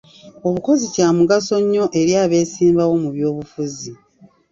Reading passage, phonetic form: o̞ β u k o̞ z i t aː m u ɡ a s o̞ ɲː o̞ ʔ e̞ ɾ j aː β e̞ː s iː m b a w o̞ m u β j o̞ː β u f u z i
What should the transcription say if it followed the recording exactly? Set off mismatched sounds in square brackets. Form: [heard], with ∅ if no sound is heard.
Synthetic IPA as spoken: o̞ β u k o̞ z i [c] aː m u ɡ a s o̞ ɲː o̞ ʔ e̞ ɾ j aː β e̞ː s iː m b a w o̞ m u β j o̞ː β u f u z i